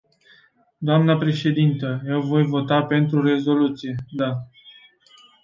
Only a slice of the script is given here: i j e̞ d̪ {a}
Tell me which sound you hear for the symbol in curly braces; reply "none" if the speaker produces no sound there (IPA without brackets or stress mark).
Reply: a